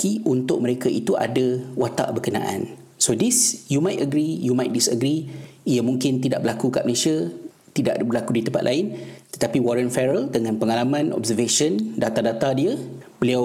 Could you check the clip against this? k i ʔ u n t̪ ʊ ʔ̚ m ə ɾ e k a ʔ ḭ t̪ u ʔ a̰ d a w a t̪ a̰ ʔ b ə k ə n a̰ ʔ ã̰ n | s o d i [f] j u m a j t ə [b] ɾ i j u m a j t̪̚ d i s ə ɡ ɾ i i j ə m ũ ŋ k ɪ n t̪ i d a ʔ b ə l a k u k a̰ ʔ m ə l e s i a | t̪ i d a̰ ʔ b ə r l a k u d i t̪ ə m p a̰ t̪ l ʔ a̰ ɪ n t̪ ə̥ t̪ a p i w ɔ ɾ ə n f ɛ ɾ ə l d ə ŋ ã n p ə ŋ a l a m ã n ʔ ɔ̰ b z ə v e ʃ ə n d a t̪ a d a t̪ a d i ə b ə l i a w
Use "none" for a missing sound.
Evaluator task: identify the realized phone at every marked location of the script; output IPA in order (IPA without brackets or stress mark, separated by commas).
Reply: s, ɡ